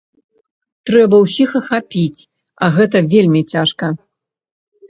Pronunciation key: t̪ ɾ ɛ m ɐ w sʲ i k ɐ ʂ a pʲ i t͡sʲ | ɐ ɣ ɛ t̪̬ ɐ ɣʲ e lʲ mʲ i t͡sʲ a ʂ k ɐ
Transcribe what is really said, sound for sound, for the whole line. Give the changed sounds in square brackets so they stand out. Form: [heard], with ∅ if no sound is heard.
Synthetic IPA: t̪ ɾ ɛ [b] ɐ w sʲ i [x] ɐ [x] a pʲ i t͡sʲ | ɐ ɣ ɛ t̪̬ ɐ [vʲ] e lʲ mʲ i t͡sʲ a ʂ k ɐ